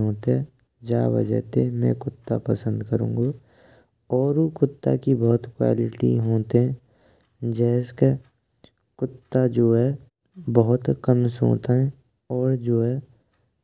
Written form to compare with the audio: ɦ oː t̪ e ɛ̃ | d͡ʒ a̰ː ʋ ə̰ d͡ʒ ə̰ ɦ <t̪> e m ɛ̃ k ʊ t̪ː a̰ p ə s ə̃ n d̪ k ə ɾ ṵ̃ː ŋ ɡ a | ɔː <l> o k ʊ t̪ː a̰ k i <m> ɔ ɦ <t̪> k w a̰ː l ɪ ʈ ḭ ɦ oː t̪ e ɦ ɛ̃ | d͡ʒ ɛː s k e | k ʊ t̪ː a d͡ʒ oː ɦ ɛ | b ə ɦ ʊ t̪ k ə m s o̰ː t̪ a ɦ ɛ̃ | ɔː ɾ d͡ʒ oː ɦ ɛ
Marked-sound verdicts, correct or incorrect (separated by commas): correct, incorrect, incorrect, correct